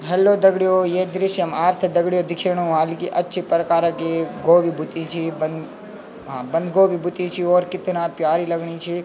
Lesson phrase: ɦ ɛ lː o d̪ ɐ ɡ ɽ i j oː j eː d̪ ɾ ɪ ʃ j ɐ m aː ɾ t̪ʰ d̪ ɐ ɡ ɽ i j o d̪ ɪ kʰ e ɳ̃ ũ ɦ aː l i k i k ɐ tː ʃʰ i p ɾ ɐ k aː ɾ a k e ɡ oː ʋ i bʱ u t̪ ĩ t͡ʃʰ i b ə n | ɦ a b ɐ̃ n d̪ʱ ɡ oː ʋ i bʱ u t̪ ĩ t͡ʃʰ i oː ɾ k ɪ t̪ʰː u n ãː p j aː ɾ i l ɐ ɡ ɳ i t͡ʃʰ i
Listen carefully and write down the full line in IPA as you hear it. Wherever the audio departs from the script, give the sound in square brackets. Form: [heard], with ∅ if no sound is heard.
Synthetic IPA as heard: ɦ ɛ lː o d̪ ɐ ɡ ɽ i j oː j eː d̪ ɾ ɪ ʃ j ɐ m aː ɾ t̪ʰ d̪ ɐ ɡ ɽ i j o d̪ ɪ kʰ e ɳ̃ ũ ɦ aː l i k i [ʔ] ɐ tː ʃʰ i p ɾ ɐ k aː ɾ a k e ɡ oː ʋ i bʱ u t̪ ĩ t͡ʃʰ i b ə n | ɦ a b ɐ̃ n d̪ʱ ɡ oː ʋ i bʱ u t̪ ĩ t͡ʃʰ i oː ɾ k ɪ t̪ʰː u n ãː p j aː ɾ i l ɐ ɡ ɳ i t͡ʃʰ i